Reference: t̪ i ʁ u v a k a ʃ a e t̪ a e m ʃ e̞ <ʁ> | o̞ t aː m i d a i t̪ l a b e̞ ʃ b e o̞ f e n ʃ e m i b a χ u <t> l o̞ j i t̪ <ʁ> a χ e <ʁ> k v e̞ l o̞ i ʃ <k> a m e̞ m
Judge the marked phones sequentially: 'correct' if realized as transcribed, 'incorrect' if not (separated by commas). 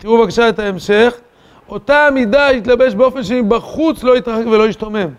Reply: incorrect, incorrect, correct, incorrect, incorrect